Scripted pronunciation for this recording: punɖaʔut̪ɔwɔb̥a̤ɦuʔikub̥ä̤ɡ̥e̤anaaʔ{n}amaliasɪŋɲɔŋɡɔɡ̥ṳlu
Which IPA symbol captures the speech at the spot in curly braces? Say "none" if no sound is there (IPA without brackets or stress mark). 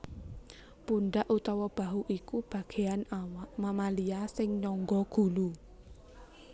m